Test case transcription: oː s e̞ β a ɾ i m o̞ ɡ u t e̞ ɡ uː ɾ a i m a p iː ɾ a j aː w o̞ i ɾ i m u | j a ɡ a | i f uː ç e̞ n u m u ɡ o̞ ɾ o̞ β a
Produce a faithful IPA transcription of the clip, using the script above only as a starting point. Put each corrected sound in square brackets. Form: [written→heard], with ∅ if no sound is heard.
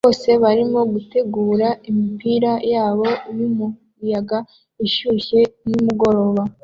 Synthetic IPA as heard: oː s e̞ β a ɾ i m o̞ ɡ u t e̞ ɡ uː ɾ a i m [a→i] p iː ɾ a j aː [w→β] o̞ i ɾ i m u | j a ɡ a | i [f→ʃ] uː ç e̞ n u m u ɡ o̞ ɾ o̞ β a

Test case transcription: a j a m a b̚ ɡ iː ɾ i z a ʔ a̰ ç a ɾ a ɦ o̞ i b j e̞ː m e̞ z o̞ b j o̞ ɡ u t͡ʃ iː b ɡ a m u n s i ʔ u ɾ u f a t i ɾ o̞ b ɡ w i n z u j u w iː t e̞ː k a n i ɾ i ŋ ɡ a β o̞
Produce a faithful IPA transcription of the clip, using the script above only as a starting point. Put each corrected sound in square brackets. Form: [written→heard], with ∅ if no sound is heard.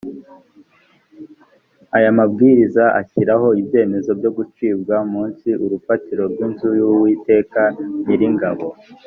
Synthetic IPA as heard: a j a m a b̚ ɡ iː ɾ i z a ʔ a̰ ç [a→i] ɾ a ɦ o̞ i b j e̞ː m e̞ z o̞ b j o̞ ɡ u t͡ʃ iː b ɡ a m [u→uː] n s i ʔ u ɾ u f a t i ɾ o̞ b ɡ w i n z u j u w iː t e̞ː k a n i ɾ i ŋ ɡ a β o̞

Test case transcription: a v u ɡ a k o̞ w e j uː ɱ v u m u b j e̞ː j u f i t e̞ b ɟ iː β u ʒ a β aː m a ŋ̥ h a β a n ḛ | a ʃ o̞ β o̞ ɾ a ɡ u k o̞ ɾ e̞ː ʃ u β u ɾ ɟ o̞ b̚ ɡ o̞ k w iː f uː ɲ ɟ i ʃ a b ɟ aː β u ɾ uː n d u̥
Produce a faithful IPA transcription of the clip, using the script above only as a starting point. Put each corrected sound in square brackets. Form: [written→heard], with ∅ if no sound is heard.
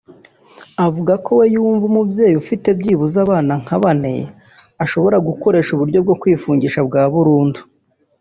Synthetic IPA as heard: a v u ɡ a k o̞ w e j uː ɱ v u m u b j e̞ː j u f i t e̞ b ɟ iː β u [ʒ→z] a β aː [m→n] a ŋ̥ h a β a n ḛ | a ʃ o̞ β o̞ ɾ a ɡ u k o̞ ɾ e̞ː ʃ u β u ɾ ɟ o̞ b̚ ɡ o̞ k w iː f uː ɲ ɟ i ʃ a b [ɟ→ɡ] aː β u ɾ uː n d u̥

